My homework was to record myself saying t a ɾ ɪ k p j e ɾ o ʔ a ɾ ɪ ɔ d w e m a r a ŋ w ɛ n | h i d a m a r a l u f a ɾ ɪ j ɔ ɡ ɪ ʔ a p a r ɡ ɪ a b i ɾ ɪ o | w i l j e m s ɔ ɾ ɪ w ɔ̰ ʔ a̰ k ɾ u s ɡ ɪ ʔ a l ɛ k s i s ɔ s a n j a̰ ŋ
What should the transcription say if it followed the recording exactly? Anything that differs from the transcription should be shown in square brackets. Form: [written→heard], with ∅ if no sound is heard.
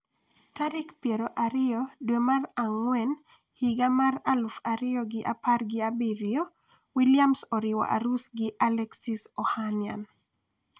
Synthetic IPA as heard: t a ɾ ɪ k p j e ɾ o ʔ a ɾ ɪ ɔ d w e m a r a ŋ w ɛ n | h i [d→ɡ] a m a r a l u f a ɾ ɪ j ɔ ɡ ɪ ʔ a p a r ɡ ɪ a b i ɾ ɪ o | w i l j [e→a] m s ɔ ɾ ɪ w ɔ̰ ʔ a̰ [k→∅] ɾ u s ɡ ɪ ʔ a l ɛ k s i s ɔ [s→h] a n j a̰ [ŋ→n]